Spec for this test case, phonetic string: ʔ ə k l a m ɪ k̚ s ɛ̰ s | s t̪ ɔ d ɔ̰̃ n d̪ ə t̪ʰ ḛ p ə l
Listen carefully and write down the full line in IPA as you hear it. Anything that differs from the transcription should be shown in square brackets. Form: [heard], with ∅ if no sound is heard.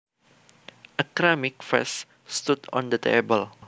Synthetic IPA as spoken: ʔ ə k [ɾ] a m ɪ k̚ [f] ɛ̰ s | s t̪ [u] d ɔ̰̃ n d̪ ə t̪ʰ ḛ [b] ə l